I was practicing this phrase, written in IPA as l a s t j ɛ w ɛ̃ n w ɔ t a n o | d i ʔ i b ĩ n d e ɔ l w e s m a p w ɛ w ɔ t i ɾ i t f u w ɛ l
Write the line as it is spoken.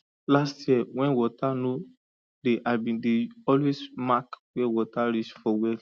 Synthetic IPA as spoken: l a s t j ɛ w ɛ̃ n w ɔ t a n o | d e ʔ a b ĩ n d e ɔ l w e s m a k w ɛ w ɔ t a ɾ i t͡ʃ f ɔ w ɛ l